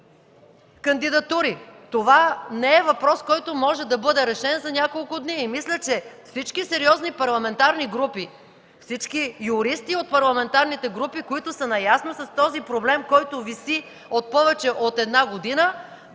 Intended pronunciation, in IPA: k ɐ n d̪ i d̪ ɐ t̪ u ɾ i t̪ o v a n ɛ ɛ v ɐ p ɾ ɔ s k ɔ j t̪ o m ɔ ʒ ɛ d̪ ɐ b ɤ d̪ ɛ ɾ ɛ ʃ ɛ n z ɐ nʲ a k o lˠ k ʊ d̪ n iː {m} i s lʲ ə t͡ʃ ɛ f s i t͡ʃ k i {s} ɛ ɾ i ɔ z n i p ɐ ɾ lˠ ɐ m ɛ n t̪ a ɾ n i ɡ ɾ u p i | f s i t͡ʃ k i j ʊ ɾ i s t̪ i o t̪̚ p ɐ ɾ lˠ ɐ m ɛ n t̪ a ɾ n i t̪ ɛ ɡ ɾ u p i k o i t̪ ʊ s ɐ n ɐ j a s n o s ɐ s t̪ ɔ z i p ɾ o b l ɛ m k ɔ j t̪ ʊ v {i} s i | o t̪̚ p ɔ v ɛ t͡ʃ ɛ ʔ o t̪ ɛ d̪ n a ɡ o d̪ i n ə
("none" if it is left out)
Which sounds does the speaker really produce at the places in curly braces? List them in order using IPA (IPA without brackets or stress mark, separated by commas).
m, s, i